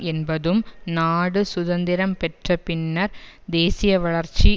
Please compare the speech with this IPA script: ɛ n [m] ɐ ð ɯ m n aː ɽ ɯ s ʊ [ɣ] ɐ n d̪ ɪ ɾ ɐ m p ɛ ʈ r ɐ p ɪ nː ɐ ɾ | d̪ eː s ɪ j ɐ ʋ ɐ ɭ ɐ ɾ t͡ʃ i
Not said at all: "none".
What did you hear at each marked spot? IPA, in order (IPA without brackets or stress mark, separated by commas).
b, ð